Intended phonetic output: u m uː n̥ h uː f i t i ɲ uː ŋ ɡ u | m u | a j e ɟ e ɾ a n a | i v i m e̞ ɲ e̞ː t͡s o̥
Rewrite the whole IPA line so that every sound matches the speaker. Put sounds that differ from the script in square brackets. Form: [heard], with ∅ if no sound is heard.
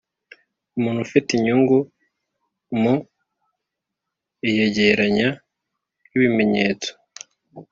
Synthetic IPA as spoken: u m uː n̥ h [u] f i t i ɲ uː ŋ ɡ u | m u | [i] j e ɟ e ɾ a [ɲ] a | i [β] i m e̞ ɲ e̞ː t͡s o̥

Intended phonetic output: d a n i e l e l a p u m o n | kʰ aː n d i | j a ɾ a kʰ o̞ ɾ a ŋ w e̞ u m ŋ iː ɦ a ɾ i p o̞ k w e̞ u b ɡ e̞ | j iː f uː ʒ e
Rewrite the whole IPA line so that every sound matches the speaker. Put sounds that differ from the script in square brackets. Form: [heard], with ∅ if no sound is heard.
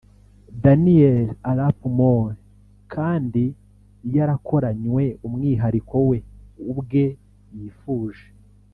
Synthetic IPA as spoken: d a n i e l [a] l a p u m o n | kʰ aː n d i | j a ɾ a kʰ o̞ ɾ a [ɲ] w e̞ u m ŋ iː ɦ a ɾ i [k] o̞ [∅] w e̞ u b ɡ e̞ | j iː f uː ʒ e

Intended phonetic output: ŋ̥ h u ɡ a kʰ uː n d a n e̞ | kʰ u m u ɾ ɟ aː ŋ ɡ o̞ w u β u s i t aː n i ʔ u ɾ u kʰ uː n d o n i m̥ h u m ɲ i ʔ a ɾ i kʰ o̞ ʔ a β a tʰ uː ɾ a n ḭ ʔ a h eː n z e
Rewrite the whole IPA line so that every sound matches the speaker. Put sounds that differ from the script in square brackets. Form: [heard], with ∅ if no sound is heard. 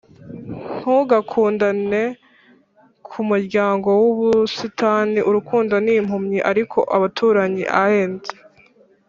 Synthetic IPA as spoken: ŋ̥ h u ɡ a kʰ uː n d a n e̞ | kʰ u m u ɾ ɟ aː ŋ ɡ o̞ w u β u s i t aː n i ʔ u ɾ u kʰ uː n d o n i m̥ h u m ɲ i ʔ a ɾ i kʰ o̞ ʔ a β a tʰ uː ɾ a [ɲ] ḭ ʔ a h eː n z e

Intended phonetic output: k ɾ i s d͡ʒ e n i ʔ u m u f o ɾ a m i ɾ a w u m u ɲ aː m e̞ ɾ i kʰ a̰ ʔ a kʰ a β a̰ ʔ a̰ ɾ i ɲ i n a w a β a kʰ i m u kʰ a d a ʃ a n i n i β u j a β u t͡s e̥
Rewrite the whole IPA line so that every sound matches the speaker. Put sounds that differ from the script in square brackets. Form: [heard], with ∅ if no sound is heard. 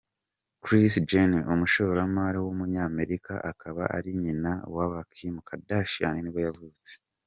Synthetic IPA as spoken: k ɾ i s d͡ʒ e n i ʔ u m u [ʃ] o ɾ a m [a] ɾ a w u m u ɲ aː m e̞ ɾ i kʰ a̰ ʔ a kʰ a β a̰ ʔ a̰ ɾ i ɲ i n a w a β a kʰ i m u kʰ a d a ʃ a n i n i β [o] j a [v] u t͡s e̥

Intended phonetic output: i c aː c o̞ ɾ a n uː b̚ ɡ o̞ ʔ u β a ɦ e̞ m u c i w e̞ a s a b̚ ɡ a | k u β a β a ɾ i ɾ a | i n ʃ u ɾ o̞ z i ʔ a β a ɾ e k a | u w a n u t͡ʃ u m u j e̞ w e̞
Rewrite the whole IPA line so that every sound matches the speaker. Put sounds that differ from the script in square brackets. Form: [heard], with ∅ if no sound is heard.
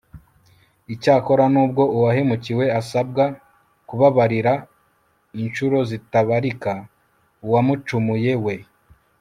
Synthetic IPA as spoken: i c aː [k] o̞ ɾ a n uː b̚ ɡ o̞ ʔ u [w] a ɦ e̞ m u c i w e̞ a s a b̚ ɡ a | k u β a β a ɾ i ɾ a | i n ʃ u ɾ o̞ z i [t] a β a ɾ [i] k a | u w a [m] u t͡ʃ u m u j e̞ w e̞

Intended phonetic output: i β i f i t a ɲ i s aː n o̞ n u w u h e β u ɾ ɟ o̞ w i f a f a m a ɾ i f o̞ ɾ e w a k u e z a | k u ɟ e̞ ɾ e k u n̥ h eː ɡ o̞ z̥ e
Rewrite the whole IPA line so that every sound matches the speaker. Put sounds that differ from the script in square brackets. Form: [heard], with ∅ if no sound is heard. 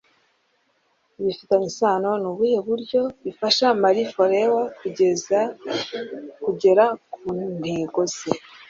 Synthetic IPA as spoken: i β i f i t a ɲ i s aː n o̞ n u [β] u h e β u ɾ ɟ o̞ [β] i f a [ʃ] a m a ɾ i f o̞ ɾ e w a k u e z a | k u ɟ e̞ ɾ [a] k u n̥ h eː ɡ o̞ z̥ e

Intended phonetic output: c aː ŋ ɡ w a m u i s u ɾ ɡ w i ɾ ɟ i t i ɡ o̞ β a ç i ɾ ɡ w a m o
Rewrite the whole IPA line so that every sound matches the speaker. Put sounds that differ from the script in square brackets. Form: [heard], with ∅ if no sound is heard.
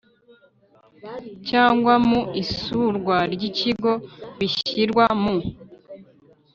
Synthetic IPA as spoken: c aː ŋ ɡ w a m u i s u ɾ ɡ w [a] ɾ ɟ i [c] i ɡ o̞ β [i] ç i ɾ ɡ w a m [u]

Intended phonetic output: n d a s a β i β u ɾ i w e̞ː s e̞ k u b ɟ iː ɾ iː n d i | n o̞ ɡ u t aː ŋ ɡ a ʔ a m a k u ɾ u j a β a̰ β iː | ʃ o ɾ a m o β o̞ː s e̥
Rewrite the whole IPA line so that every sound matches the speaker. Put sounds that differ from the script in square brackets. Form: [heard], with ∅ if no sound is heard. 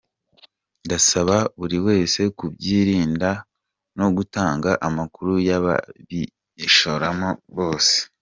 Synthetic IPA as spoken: n d a s a β [a] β u ɾ i w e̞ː s e̞ k u b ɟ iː ɾ iː n d [a] | n o̞ ɡ u t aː ŋ ɡ a ʔ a m a k u ɾ u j a β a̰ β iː | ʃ o ɾ a m o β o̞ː s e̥

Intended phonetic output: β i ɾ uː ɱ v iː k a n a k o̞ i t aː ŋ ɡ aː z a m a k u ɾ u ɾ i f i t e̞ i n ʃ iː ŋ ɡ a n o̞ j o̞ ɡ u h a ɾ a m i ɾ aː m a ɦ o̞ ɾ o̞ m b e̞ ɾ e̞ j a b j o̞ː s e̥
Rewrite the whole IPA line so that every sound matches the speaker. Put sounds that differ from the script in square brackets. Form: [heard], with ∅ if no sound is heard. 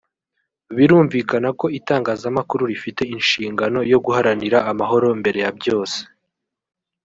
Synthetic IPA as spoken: β i ɾ uː ɱ v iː k a n a k o̞ i t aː ŋ ɡ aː z a m a k u ɾ u ɾ i f i t e̞ i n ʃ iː ŋ ɡ a n o̞ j o̞ ɡ u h a ɾ a [n] i ɾ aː m a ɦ o̞ ɾ o̞ m b e̞ ɾ e̞ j a b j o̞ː s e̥

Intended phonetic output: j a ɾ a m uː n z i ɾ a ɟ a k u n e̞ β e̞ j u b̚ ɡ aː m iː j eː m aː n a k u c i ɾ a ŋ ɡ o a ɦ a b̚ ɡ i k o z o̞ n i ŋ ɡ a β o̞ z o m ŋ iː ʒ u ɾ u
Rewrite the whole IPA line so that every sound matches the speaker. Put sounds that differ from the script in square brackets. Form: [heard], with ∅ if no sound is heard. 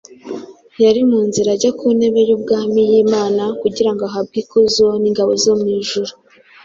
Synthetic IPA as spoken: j a ɾ [i] m uː n z i ɾ a ɟ a k u n e̞ β e̞ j u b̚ ɡ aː m [i] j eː m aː n a k u [ɟ] i ɾ a ŋ ɡ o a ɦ a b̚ ɡ i k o z o̞ n i ŋ ɡ a β o̞ z o m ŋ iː ʒ u ɾ u

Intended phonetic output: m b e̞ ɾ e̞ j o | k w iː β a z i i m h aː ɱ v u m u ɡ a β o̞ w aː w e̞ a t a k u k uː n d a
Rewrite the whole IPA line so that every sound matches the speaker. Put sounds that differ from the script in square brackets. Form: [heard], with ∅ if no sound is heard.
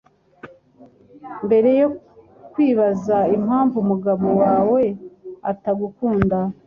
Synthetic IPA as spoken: m b e̞ ɾ e̞ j o | k w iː β a z [a] i m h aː ɱ v u m u ɡ a β o̞ w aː w e̞ a t a [ɡ] u k uː n d a

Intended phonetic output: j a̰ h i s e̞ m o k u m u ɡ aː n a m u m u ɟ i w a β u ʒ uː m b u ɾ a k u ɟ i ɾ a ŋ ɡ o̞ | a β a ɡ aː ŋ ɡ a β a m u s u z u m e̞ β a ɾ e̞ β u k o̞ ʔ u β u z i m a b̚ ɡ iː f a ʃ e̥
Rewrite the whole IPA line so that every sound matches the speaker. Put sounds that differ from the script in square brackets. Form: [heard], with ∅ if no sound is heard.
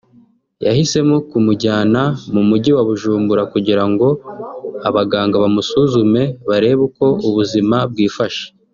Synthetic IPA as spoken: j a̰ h i s e̞ m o k u m u [ɟ] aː n a m u m u ɟ i w a β u ʒ uː m b u ɾ a k u ɟ i ɾ a ŋ ɡ o̞ | a β a ɡ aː ŋ ɡ a β a m u s u z u m e̞ β a ɾ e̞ β u k o̞ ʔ u β u z i m a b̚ ɡ iː f a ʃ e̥

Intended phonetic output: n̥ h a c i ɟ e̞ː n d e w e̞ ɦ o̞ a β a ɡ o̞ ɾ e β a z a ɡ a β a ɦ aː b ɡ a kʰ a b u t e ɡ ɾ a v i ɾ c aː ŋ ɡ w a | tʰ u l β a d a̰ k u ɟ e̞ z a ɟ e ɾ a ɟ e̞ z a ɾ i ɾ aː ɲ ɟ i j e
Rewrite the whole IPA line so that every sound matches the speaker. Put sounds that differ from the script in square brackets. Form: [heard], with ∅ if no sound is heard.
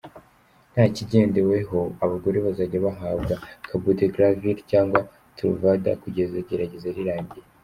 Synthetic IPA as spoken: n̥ h a c i ɟ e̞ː n d e w e̞ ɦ o̞ a β a ɡ o̞ ɾ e β a z a [ɟ] a β a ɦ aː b ɡ a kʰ a b u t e ɡ ɾ a v i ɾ c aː ŋ ɡ w a | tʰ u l [v] a d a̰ k u ɟ e̞ z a ɟ e ɾ a ɟ e̞ z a ɾ i ɾ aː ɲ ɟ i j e

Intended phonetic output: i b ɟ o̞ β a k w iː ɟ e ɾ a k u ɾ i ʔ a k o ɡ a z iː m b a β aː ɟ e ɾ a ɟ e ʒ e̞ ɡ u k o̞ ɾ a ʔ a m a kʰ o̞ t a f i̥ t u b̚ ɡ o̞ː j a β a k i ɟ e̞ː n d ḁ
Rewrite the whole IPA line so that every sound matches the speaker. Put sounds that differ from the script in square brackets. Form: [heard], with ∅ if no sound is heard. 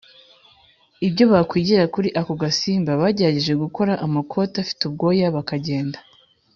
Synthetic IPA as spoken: i b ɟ o̞ β a k w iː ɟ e ɾ a k u ɾ i ʔ a k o ɡ a [s] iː m b a β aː ɟ e ɾ a ɟ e ʒ e̞ ɡ u k o̞ ɾ a ʔ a m a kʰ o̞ t a f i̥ t u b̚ ɡ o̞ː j a β a k [a] ɟ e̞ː n d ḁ

